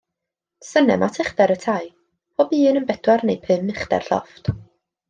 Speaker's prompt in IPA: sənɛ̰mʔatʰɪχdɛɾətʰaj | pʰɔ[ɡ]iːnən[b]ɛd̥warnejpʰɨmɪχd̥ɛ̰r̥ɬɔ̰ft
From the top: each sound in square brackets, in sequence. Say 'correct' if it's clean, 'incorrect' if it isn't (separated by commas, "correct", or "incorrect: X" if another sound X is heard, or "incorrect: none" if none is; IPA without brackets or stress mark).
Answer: incorrect: b, correct